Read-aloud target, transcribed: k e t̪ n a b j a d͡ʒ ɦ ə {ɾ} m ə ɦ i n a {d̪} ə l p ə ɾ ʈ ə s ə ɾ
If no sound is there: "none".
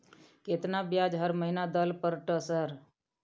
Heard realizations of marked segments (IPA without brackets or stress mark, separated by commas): ɾ, d̪